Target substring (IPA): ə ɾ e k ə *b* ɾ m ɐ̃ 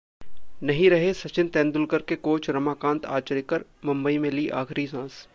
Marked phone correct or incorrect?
incorrect